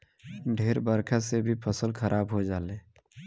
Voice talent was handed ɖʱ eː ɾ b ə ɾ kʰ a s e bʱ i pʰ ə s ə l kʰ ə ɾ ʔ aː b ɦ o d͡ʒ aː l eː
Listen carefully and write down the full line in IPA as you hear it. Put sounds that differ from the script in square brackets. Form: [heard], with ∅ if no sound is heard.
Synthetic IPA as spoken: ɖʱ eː ɾ b ə ɾ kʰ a s e bʱ i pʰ ə s ə l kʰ ə ɾ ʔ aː b ɦ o d͡ʒ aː l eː